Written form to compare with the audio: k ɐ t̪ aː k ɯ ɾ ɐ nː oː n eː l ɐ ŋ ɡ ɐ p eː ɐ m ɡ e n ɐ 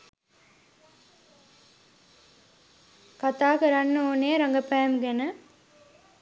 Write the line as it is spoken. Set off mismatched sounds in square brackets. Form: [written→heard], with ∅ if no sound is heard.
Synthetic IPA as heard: k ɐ t̪ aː k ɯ ɾ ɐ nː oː n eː [l→ɾ] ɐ ŋ ɡ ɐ p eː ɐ m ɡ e n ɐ